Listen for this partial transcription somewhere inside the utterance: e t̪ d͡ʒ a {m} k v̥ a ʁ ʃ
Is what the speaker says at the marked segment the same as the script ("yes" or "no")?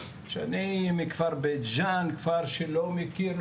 no